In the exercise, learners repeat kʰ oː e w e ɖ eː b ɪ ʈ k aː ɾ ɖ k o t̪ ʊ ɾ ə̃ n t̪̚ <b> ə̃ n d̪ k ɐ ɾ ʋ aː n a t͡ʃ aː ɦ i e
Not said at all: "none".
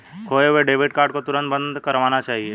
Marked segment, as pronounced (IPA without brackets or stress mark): b